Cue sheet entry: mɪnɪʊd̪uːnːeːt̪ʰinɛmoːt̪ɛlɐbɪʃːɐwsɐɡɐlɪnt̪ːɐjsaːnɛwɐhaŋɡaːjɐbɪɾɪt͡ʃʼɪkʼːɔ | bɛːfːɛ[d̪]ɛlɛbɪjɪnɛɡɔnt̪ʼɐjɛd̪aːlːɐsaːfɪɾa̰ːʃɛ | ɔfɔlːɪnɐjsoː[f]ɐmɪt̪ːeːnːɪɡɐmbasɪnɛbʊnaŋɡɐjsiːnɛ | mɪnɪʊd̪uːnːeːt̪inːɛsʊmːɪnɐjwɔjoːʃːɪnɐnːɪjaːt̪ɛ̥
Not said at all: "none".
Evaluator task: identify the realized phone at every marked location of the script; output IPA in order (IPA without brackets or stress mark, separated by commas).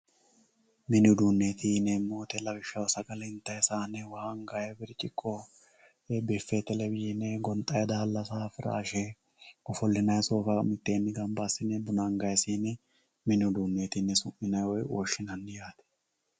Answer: t̪, f